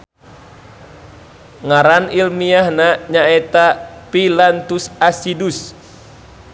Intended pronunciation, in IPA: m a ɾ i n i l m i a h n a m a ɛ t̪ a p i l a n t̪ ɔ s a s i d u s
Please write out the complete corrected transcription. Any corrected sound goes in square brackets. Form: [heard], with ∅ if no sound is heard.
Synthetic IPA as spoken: [ŋ] a ɾ [a] n i l m i a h n a [ɲ] a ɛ t̪ a p i l a n t̪ [u] s a s i d u s